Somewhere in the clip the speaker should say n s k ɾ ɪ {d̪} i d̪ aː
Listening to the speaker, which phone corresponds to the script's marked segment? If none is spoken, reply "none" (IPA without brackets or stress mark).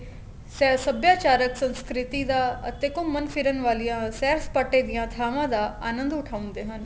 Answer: t̪